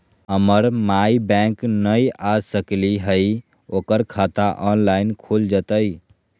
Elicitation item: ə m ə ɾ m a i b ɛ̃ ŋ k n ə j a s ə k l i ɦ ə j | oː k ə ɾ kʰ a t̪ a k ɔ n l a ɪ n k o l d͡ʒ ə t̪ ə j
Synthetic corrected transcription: ə m ə ɾ m a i b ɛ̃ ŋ k n ə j a s ə k l i ɦ ə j | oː k ə ɾ kʰ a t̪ a ʔ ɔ n l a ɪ n kʰ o l d͡ʒ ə t̪ ə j